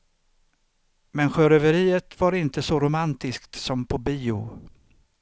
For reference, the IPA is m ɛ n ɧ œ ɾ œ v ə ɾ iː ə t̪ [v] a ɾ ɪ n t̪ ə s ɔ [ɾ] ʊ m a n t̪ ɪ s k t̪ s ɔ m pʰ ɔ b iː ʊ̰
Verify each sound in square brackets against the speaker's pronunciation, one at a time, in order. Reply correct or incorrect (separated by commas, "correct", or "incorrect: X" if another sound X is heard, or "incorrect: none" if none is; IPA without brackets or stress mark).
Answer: correct, correct